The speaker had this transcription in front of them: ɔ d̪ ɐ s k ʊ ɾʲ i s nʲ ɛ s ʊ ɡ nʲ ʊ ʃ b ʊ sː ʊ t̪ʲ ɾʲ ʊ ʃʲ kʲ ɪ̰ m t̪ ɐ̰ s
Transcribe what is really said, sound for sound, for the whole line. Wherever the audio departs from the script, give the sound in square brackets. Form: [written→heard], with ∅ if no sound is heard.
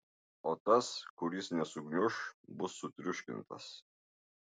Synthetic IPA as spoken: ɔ [d̪→t̪] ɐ s k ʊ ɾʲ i s nʲ ɛ s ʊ ɡ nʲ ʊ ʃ b ʊ sː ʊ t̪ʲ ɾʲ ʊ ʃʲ kʲ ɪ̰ [m→n] t̪ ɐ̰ s

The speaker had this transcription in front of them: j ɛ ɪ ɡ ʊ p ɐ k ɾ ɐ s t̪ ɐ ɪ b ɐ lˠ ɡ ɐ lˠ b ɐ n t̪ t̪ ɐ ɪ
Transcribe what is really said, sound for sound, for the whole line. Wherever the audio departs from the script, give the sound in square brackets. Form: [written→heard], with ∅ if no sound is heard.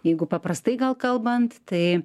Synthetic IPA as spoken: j ɛ ɪ ɡ ʊ p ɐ [k→p] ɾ ɐ s t̪ ɐ ɪ [b→ɡ] ɐ lˠ [ɡ→k] ɐ lˠ b ɐ n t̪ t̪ ɐ ɪ

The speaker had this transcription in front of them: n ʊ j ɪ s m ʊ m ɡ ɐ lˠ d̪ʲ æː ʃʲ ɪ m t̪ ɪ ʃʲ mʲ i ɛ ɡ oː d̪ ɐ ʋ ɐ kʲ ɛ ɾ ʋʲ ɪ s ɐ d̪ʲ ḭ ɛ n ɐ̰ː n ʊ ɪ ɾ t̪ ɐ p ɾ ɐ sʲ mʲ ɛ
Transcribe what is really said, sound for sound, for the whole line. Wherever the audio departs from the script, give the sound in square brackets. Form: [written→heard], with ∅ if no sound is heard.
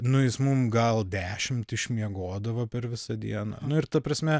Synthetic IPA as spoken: n ʊ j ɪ s m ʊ m ɡ ɐ lˠ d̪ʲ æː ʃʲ ɪ m t̪ ɪ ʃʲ mʲ i ɛ ɡ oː d̪ ɐ ʋ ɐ [kʲ→pʲ] ɛ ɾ ʋʲ ɪ s ɐ d̪ʲ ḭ ɛ n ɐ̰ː n ʊ ɪ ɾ t̪ ɐ p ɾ ɐ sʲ mʲ ɛ

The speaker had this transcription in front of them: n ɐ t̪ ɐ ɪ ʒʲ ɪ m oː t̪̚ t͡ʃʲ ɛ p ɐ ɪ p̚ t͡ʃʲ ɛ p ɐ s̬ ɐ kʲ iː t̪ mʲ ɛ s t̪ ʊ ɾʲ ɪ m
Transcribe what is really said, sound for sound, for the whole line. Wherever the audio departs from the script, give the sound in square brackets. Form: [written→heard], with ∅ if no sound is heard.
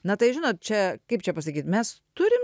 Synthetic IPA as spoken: n ɐ t̪ ɐ ɪ ʒʲ ɪ [m→n] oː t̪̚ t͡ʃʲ ɛ [p→k] ɐ ɪ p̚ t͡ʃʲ ɛ p ɐ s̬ ɐ kʲ iː t̪ mʲ ɛ s t̪ ʊ ɾʲ ɪ m

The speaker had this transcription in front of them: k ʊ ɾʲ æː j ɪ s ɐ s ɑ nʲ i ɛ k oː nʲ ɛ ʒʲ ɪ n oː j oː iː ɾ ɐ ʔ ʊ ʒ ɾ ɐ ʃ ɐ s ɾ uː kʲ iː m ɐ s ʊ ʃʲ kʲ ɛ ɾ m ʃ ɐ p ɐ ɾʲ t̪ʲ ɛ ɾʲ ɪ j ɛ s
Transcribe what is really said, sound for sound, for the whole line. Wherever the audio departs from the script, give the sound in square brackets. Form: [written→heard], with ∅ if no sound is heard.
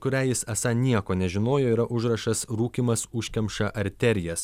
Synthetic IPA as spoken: k ʊ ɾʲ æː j ɪ s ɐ s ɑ nʲ i ɛ k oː nʲ ɛ ʒʲ ɪ n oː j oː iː ɾ ɐ ʔ ʊ ʒ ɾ ɐ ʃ ɐ s ɾ uː kʲ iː m ɐ s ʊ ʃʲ kʲ ɛ [ɾ→∅] m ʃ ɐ [p→ʔ] ɐ ɾʲ t̪ʲ ɛ ɾʲ ɪ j ɛ s

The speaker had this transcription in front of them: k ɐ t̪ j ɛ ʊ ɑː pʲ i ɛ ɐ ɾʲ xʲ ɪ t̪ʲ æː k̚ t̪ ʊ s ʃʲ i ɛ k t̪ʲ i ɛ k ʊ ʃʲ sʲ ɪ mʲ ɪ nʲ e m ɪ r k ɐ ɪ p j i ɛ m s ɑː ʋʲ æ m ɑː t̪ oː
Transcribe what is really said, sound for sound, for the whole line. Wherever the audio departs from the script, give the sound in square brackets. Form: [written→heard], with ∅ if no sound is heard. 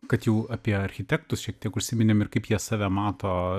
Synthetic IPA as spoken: k ɐ t̪ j ɛ ʊ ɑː pʲ i ɛ ɐ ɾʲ xʲ ɪ t̪ʲ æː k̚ t̪ ʊ s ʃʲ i ɛ k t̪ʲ i ɛ k ʊ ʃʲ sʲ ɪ mʲ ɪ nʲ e m ɪ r k ɐ ɪ p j i ɛ [m→∅] s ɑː ʋʲ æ m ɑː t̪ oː

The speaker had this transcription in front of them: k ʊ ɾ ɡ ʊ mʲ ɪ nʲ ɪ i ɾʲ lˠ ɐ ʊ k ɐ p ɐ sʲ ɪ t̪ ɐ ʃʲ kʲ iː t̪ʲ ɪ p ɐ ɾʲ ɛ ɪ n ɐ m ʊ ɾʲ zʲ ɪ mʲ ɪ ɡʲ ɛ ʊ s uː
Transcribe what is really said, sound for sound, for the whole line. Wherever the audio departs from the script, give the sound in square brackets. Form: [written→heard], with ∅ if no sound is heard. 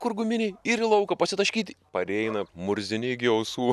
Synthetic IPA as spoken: k ʊ ɾ ɡ ʊ mʲ ɪ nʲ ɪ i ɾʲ lˠ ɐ ʊ k ɐ p ɐ sʲ ɪ t̪ ɐ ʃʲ kʲ iː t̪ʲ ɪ p ɐ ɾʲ ɛ ɪ n ɐ m ʊ ɾʲ zʲ ɪ [mʲ→nʲ] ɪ ɡʲ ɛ ʊ s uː

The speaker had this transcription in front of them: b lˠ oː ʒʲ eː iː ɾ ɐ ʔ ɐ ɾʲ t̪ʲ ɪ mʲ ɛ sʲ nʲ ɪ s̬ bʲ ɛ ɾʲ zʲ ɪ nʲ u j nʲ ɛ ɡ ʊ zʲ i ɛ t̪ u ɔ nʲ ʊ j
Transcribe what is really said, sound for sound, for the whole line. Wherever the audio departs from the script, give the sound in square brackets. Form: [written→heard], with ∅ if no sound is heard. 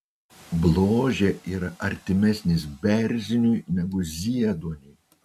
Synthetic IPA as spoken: b lˠ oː ʒʲ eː iː ɾ ɐ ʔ ɐ ɾʲ t̪ʲ ɪ mʲ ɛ sʲ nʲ ɪ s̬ bʲ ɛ ɾʲ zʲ ɪ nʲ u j nʲ ɛ ɡ ʊ zʲ i ɛ [t̪→d̪] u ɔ nʲ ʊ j

